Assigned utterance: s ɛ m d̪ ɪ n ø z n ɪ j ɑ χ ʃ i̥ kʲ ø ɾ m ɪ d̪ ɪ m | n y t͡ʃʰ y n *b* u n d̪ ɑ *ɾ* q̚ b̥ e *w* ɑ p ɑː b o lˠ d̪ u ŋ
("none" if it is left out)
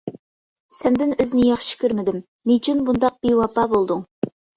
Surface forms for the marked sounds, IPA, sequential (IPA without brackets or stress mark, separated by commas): b, none, w